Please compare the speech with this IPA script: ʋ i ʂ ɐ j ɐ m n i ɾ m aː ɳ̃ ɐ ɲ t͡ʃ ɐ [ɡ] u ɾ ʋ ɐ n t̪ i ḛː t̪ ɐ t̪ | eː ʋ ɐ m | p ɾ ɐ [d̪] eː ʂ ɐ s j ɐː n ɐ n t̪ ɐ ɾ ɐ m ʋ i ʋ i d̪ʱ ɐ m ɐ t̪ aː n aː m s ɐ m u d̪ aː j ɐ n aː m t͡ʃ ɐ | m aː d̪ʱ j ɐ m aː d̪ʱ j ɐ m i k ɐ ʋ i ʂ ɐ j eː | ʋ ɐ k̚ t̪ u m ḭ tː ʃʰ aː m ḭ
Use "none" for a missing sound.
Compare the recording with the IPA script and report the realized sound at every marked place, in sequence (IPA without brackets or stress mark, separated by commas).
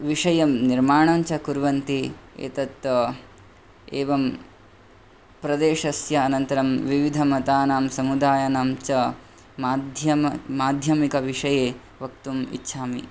k, d̪